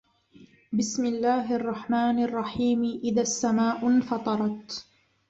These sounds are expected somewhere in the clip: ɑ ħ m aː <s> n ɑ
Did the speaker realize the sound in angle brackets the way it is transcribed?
no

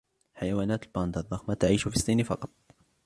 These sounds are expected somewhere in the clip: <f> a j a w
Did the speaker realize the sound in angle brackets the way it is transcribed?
no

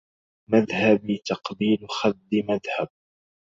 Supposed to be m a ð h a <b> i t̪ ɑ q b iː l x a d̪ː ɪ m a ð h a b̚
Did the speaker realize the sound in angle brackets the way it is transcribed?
yes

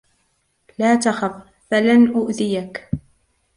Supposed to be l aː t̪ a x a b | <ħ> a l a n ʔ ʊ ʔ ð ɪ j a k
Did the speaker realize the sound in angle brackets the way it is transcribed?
no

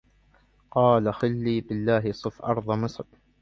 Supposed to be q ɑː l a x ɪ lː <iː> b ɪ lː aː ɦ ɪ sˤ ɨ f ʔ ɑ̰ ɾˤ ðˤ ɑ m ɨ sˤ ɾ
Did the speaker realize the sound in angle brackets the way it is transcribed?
yes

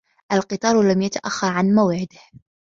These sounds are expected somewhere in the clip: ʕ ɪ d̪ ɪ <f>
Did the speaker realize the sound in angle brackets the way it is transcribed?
no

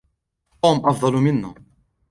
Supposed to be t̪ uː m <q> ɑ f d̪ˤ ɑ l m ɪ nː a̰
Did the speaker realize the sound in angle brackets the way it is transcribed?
no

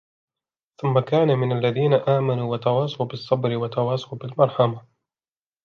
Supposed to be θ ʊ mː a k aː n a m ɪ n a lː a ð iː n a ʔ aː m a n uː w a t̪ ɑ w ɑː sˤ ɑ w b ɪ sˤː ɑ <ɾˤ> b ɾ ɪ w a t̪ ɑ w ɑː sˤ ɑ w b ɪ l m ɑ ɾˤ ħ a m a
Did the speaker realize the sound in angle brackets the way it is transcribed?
no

